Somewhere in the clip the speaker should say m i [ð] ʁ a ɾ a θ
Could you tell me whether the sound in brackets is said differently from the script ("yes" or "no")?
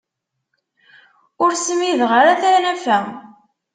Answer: no